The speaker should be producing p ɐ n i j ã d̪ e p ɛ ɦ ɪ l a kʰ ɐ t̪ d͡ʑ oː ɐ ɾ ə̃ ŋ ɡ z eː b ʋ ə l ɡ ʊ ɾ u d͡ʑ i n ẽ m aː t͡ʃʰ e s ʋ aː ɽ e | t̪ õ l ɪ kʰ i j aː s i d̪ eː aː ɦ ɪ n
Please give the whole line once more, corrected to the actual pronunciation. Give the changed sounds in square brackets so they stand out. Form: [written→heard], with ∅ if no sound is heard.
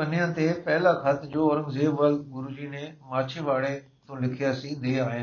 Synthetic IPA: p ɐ n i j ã [d̪→t̪] e p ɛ ɦ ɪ l a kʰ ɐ t̪ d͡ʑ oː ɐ ɾ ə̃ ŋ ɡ z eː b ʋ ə l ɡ ʊ ɾ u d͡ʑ i n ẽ m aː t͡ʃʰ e [s→∅] ʋ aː ɽ e | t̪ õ l ɪ kʰ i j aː s i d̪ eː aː ɦ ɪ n